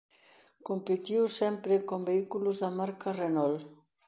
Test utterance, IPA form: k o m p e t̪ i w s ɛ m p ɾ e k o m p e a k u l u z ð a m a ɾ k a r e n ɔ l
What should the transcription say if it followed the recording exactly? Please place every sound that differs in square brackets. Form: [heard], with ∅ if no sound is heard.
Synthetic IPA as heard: k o m p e t̪ i w s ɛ m p ɾ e k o m [b] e [i] k u l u z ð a m a ɾ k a r e n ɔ l